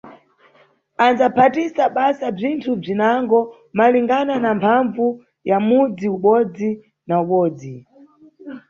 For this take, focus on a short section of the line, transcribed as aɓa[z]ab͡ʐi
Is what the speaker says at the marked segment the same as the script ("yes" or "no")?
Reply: no